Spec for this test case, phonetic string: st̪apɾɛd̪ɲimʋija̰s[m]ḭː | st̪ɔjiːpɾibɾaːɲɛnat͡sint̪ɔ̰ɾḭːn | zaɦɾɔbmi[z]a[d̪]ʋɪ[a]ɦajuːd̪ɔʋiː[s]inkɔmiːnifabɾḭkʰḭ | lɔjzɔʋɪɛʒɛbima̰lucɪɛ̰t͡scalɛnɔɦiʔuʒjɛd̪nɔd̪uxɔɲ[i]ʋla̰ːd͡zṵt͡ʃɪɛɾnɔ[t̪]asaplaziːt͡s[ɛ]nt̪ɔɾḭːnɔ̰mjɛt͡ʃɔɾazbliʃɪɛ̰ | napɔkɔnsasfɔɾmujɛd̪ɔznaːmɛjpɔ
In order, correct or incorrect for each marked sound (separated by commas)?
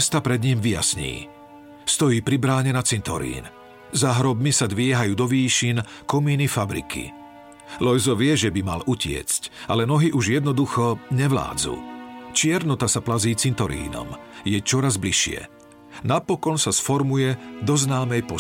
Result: incorrect, incorrect, correct, incorrect, incorrect, incorrect, correct, incorrect